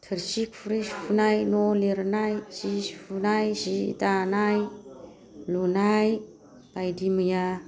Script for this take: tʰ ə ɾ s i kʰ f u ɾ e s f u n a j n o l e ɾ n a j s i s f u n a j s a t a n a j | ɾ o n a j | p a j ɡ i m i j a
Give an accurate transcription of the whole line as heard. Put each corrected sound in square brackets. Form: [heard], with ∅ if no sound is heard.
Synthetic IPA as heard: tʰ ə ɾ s i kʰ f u ɾ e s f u n a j n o l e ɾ n a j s i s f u n a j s [i] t a n a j | [l] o n a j | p a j [d] i m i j a